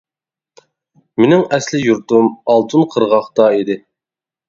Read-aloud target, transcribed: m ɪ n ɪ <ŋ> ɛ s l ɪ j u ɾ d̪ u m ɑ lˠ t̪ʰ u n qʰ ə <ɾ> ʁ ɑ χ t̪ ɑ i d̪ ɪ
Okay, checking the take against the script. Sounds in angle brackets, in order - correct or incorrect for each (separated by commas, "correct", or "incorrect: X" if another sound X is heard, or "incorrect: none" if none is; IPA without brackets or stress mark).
correct, correct